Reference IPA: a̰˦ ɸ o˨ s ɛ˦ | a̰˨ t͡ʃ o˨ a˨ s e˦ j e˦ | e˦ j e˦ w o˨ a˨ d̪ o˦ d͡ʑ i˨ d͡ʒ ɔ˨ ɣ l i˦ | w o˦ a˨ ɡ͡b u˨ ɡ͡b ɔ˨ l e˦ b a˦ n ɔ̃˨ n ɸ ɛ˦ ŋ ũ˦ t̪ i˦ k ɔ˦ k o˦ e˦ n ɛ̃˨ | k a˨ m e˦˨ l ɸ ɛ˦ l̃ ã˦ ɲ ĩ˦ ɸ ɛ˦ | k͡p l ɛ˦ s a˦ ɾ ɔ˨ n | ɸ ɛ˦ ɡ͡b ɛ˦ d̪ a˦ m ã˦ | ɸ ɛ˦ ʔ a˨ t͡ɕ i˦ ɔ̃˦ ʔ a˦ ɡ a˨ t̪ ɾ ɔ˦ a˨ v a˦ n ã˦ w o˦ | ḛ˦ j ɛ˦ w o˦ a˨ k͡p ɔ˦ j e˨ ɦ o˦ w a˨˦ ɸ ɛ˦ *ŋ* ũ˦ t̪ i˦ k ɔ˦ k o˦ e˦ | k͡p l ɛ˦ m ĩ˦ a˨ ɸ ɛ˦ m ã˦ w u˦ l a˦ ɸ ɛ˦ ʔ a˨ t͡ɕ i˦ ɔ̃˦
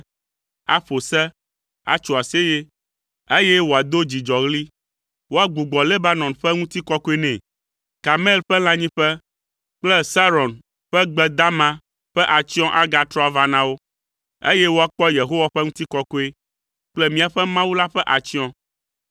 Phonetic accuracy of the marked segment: correct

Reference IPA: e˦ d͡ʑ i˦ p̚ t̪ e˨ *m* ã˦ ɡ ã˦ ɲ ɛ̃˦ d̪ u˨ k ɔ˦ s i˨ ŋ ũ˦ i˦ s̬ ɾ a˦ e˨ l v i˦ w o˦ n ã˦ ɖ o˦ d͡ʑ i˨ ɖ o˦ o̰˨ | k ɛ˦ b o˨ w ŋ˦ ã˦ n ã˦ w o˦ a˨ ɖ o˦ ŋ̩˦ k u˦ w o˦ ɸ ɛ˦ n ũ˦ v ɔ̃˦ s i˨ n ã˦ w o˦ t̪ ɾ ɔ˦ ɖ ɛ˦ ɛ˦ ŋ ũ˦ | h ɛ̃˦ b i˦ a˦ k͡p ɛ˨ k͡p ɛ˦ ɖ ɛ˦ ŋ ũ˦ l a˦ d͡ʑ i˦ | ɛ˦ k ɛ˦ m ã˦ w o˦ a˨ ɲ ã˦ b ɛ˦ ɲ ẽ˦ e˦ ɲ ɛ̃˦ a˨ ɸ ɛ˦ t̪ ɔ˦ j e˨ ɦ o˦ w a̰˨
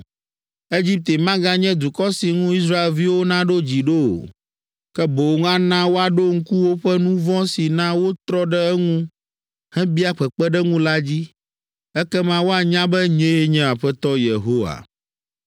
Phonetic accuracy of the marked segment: correct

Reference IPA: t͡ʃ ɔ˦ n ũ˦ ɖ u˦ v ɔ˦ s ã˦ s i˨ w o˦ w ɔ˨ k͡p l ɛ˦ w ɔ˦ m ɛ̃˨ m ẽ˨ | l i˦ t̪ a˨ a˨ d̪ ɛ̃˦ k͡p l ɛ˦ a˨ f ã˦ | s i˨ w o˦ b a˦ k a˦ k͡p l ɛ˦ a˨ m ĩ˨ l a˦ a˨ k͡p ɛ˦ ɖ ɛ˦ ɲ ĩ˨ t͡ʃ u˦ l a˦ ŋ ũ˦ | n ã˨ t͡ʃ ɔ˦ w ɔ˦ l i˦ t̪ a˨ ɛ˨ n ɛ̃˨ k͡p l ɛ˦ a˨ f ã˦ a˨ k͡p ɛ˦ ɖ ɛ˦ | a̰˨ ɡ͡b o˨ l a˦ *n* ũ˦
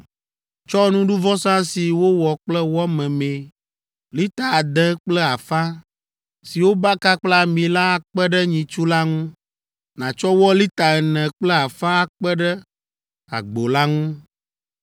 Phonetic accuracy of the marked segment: incorrect: ŋ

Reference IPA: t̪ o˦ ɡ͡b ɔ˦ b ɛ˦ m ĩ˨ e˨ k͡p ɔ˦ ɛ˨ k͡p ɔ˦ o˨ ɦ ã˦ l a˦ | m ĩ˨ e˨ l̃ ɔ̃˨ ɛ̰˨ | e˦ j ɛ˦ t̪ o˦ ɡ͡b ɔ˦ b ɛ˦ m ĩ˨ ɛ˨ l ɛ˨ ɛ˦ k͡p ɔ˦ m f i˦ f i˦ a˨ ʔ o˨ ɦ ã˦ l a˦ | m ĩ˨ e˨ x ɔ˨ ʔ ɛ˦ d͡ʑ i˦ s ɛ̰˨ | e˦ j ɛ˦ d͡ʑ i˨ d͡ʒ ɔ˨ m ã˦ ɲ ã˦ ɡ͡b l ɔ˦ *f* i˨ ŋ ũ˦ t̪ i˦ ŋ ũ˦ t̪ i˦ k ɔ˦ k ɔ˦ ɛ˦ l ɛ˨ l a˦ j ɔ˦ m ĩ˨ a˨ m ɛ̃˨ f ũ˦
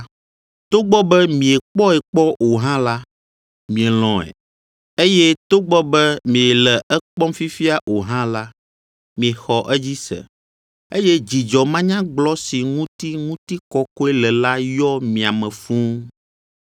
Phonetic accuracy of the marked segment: incorrect: s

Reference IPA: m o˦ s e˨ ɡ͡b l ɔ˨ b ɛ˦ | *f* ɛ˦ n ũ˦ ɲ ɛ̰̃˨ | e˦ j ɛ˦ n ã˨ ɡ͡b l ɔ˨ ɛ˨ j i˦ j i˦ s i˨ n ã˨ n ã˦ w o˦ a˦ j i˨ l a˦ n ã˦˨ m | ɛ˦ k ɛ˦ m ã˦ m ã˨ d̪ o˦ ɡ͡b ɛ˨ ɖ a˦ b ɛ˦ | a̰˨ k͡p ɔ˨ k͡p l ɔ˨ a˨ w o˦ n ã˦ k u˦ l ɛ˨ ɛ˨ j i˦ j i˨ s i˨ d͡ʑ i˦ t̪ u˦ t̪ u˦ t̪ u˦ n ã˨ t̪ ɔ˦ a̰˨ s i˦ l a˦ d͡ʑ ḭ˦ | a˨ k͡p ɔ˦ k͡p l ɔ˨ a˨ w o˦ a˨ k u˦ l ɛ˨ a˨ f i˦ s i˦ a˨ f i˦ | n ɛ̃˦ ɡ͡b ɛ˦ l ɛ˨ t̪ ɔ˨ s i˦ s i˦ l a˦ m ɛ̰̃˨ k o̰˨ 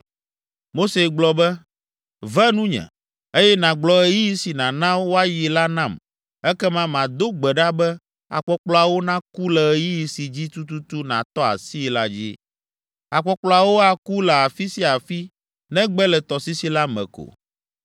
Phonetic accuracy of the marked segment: incorrect: v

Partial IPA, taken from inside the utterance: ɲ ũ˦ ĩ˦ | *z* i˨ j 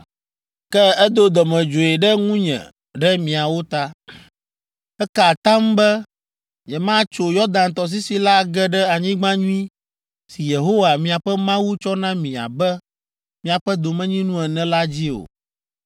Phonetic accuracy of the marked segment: incorrect: s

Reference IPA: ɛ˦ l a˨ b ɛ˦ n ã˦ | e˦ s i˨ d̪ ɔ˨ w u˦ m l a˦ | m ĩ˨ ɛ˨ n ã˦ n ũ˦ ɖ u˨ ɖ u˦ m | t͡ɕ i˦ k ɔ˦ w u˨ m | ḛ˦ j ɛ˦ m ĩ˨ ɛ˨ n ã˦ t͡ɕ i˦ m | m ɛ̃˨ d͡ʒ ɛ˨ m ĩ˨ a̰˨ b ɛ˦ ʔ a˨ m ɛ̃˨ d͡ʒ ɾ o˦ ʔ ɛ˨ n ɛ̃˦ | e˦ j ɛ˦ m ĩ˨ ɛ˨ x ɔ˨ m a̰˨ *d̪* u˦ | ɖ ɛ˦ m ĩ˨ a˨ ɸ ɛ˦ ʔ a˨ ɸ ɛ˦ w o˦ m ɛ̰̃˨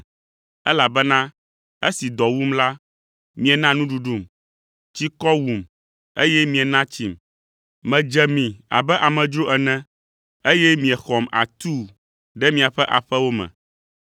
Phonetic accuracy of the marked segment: incorrect: t̪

